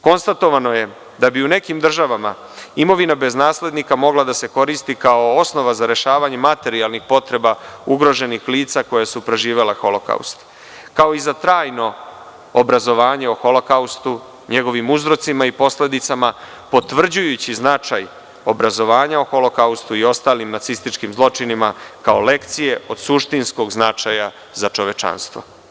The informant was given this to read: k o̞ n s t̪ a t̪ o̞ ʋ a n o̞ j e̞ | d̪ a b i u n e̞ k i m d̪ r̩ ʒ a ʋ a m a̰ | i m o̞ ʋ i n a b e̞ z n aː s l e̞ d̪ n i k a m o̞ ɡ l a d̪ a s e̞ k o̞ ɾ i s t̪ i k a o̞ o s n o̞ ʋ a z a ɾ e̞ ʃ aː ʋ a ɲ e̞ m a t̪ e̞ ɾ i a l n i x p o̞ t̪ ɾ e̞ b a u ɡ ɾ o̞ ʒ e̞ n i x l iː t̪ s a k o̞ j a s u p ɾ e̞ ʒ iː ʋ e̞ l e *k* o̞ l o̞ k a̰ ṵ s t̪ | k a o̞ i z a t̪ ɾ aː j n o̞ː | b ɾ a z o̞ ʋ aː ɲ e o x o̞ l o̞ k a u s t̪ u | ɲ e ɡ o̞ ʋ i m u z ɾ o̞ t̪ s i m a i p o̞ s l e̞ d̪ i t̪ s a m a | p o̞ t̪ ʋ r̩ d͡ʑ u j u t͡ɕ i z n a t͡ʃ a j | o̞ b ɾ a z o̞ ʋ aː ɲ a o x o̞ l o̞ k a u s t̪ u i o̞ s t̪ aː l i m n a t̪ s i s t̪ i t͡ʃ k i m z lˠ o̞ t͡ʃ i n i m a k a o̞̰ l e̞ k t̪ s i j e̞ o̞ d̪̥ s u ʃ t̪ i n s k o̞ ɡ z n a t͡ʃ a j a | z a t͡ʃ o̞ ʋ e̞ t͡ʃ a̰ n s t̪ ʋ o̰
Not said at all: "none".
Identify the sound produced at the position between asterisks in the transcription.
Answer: x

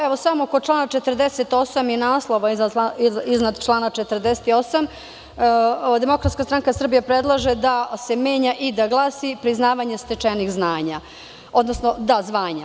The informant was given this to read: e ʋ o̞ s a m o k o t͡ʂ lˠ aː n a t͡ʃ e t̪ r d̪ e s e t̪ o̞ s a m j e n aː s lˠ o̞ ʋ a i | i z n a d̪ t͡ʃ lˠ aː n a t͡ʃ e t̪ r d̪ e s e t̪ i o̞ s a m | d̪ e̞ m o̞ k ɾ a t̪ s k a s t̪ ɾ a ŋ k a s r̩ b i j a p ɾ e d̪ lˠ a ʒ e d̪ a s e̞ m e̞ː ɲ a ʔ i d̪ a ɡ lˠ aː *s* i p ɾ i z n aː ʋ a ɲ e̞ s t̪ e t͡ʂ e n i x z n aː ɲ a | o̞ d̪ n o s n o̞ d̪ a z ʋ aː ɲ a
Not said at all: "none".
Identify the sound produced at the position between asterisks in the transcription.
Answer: s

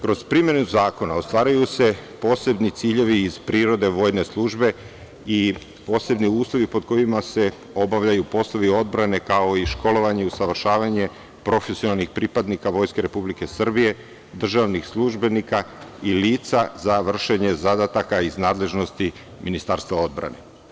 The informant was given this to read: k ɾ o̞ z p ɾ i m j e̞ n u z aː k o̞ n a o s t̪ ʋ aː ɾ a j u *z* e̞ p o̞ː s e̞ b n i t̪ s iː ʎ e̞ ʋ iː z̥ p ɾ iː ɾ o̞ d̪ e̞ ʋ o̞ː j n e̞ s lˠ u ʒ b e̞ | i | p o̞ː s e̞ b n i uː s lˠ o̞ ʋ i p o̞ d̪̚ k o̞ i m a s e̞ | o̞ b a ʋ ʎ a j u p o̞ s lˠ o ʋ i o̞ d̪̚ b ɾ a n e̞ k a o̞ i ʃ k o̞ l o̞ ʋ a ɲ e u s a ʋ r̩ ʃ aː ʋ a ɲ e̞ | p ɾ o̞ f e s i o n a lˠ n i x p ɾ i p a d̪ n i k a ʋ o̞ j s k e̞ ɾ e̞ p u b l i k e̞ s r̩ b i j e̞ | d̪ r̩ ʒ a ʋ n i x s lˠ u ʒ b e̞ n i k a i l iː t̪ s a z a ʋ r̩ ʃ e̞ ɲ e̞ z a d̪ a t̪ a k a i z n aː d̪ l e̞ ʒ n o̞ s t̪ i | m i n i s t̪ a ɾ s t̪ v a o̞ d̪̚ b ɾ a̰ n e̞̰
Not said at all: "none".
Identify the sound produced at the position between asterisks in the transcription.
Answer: s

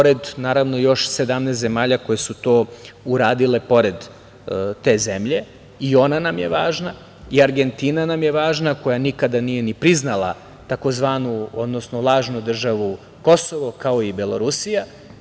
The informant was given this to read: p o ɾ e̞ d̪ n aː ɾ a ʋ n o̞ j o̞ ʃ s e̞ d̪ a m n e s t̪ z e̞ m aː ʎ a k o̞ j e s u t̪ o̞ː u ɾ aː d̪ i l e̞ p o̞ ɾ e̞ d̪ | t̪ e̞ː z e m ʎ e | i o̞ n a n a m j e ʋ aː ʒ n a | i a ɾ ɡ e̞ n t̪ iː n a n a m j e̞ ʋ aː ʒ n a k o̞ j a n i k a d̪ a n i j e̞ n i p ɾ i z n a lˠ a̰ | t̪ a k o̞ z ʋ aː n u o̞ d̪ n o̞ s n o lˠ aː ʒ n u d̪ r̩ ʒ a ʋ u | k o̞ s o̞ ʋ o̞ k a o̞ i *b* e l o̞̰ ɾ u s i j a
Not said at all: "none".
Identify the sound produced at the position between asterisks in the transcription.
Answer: b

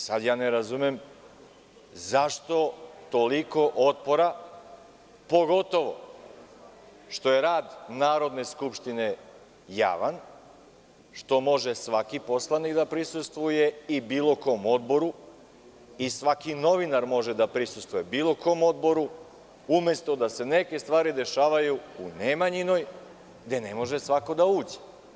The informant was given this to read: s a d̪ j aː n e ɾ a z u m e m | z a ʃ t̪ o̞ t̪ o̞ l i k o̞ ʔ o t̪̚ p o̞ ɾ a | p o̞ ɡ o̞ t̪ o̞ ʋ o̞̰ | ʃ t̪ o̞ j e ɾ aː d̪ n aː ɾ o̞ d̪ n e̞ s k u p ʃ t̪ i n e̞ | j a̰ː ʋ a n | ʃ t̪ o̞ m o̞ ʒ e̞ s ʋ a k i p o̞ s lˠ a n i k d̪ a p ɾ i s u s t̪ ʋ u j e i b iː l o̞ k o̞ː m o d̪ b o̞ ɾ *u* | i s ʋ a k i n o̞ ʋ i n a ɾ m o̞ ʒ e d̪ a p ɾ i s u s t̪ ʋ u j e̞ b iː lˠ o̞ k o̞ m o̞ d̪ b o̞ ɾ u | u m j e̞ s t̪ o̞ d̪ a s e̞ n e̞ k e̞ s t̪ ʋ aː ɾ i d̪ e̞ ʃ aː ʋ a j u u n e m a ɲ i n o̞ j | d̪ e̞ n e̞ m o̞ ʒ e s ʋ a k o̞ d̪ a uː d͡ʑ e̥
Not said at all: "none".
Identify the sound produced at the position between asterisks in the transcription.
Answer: u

